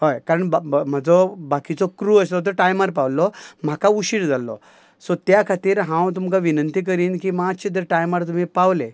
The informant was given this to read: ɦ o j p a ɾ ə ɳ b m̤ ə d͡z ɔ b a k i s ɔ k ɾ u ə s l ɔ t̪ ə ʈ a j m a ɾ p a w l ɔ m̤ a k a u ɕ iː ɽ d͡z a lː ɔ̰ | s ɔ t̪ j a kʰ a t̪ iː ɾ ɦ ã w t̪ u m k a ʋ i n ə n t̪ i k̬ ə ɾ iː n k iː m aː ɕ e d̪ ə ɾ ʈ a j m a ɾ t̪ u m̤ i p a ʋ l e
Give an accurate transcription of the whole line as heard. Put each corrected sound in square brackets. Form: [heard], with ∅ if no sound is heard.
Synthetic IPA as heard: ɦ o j [k] a ɾ ə ɳ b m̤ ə d͡z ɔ b a k i [t͡s] ɔ k ɾ u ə s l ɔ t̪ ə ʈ a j m a ɾ p a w l ɔ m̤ a k a u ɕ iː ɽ d͡z a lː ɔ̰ | s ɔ t̪ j a kʰ a t̪ iː ɾ ɦ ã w t̪ u m k a ʋ i n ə n t̪ i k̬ ə ɾ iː n k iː m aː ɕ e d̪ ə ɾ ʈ a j m a ɾ t̪ u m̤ i p a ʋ l e